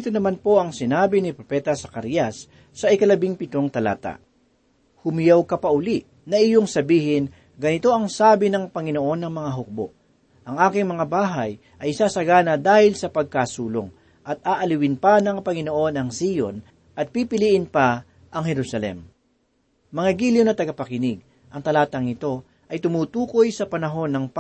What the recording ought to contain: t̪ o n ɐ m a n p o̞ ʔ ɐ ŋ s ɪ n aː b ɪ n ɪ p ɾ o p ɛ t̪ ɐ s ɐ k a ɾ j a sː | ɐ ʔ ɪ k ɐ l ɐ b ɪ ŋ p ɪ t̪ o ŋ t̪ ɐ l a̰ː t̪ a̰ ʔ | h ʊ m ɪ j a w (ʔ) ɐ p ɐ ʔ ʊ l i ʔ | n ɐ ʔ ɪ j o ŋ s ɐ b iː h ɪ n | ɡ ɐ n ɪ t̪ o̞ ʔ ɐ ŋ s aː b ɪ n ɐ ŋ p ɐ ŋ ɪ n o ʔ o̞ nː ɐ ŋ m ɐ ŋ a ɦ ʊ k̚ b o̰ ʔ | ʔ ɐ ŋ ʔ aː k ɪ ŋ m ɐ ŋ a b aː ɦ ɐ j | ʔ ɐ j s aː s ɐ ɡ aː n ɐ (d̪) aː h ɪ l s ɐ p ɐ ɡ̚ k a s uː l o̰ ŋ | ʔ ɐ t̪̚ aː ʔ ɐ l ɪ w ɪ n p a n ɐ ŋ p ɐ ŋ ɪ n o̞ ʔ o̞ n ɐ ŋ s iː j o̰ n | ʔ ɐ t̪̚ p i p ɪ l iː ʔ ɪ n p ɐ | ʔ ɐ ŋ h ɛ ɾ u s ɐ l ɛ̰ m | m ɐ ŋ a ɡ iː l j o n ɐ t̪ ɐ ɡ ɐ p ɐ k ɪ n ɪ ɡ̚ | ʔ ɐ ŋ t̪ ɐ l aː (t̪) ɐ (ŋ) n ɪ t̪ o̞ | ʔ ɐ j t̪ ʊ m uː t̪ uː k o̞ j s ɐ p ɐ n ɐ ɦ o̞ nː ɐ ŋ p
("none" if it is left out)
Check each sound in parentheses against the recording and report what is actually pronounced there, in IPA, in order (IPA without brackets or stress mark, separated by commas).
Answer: k, d̪, t̪, ŋ